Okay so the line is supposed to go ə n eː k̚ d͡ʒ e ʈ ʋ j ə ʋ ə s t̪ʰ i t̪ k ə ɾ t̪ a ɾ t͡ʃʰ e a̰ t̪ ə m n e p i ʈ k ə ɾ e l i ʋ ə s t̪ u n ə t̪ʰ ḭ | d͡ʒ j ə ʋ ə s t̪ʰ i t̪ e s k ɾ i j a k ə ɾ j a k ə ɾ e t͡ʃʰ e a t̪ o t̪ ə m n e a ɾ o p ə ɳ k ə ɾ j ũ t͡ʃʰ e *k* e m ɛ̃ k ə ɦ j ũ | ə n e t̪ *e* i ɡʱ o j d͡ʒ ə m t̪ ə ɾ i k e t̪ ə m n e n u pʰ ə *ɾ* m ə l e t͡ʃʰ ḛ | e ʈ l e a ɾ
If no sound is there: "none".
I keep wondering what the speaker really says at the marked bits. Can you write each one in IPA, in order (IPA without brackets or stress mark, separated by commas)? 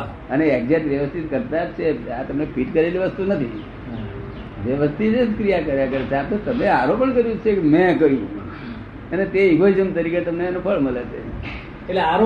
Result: k, e, ɭ